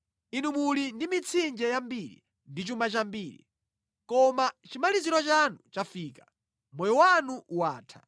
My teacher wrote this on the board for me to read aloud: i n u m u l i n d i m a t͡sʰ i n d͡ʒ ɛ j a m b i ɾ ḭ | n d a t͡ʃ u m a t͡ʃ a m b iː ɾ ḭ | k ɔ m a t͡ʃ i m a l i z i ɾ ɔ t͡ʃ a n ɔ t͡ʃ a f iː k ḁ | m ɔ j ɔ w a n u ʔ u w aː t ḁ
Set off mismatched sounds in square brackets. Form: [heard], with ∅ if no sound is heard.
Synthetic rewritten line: i n u m u l i n d i m [i] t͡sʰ i n d͡ʒ ɛ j a m b i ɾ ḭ | n d [i] t͡ʃ u m a t͡ʃ a m b iː ɾ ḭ | k ɔ m a t͡ʃ i m a l i z i ɾ ɔ t͡ʃ a n [u] t͡ʃ a f iː k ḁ | m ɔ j ɔ w a n u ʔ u w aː [tʰ] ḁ